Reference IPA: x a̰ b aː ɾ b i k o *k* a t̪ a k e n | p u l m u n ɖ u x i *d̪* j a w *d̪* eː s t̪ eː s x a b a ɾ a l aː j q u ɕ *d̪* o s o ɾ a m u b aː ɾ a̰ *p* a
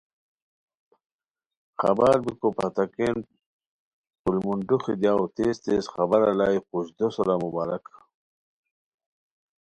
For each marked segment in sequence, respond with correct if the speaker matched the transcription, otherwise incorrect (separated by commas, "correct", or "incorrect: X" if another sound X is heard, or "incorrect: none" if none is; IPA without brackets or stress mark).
incorrect: p, correct, incorrect: t̪, correct, incorrect: k